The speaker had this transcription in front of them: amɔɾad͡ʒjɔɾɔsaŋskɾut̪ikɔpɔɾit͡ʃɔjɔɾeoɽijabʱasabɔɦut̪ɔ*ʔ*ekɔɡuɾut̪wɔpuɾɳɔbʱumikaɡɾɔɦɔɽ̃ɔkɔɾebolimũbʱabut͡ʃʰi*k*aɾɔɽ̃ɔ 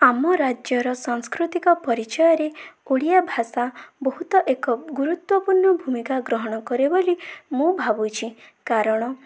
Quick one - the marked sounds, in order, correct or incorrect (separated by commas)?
correct, correct